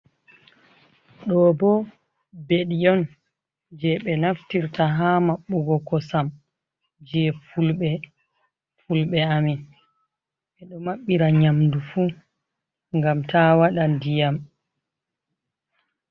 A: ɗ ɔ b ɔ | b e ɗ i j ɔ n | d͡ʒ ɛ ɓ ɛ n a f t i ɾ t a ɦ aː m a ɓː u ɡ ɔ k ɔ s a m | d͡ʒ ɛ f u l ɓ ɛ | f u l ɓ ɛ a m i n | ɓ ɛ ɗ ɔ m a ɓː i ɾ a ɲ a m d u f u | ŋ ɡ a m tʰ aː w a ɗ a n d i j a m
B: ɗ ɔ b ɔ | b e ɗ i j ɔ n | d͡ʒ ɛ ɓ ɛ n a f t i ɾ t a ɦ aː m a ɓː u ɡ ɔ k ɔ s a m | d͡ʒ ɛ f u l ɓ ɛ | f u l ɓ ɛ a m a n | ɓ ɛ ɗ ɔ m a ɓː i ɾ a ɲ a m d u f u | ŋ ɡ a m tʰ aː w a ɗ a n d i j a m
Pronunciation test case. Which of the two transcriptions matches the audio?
A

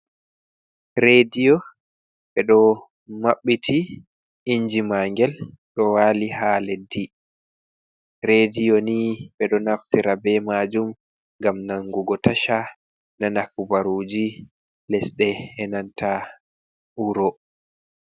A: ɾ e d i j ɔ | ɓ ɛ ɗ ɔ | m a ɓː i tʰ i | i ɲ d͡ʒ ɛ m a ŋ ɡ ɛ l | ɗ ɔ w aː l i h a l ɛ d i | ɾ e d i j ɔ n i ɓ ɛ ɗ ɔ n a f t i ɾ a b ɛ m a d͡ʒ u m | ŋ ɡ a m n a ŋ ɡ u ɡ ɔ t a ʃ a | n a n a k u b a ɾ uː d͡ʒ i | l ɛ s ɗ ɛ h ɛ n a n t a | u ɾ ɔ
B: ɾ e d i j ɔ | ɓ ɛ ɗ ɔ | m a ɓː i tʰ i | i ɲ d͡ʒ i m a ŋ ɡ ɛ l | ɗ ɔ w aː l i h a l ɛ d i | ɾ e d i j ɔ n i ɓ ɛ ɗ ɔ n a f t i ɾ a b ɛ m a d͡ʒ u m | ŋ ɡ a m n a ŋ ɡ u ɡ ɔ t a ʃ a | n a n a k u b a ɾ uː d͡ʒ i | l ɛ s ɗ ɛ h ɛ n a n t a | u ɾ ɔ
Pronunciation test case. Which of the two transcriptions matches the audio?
B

